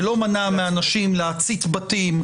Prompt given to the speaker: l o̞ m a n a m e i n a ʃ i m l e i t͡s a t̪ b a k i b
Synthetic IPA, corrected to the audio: l o̞ m a n a m e a n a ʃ i m l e a t͡s i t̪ b a t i m